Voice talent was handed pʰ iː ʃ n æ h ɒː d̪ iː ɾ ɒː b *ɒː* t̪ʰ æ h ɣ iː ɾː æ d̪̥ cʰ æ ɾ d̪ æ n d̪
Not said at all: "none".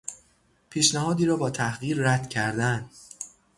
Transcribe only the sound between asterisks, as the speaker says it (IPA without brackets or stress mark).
ɒː